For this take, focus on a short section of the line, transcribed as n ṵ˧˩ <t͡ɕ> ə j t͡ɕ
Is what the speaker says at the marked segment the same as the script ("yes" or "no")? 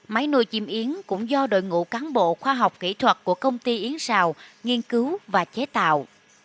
no